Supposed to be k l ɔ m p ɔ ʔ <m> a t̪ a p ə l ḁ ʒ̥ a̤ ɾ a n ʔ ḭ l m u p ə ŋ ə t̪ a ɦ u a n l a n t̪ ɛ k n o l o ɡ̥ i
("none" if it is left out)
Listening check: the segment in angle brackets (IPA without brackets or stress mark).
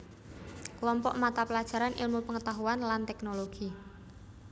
m